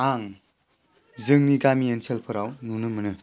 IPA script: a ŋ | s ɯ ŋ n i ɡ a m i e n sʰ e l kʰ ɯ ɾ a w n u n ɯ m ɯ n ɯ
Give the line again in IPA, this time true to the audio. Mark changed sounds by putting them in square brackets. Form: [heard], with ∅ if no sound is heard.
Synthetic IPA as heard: a ŋ | [z] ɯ ŋ n i ɡ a m i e n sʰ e l [pʰ] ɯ ɾ a w n u n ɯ m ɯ n ɯ